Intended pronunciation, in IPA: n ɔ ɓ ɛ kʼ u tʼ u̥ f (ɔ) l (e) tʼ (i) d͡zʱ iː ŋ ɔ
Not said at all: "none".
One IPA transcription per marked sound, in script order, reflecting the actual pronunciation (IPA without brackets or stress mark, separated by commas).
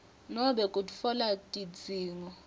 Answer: ɔ, a, i